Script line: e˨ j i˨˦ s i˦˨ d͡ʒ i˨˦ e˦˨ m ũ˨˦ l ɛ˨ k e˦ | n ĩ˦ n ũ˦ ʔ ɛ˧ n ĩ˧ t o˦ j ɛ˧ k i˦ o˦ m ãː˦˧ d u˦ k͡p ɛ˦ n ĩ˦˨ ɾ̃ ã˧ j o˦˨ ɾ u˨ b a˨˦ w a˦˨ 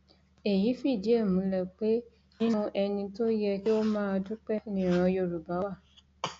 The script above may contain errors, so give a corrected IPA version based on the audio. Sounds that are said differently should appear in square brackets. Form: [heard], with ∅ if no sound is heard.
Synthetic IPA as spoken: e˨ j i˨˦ [f] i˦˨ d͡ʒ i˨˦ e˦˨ m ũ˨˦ l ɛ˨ [k͡p] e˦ | n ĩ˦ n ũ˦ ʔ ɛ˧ n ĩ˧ t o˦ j ɛ˧ k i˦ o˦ m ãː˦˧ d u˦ k͡p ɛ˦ n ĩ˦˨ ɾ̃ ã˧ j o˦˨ ɾ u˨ b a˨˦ w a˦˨